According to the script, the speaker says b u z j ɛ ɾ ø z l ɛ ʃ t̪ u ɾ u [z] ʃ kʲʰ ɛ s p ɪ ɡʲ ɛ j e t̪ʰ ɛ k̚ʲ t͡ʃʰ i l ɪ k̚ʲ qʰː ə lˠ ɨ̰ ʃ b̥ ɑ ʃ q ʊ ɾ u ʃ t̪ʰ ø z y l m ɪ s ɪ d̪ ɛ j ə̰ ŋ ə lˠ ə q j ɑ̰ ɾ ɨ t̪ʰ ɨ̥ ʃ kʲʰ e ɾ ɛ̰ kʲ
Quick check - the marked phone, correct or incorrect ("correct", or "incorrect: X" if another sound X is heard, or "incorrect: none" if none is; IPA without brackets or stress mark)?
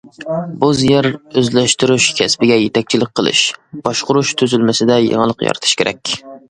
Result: incorrect: none